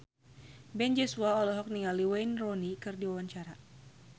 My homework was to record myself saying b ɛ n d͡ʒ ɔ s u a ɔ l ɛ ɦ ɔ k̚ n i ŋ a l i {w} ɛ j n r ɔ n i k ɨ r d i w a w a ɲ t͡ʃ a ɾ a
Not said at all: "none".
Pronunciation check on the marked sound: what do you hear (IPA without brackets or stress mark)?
w